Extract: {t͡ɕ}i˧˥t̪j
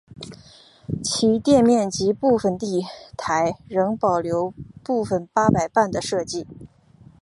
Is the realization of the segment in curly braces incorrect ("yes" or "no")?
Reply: yes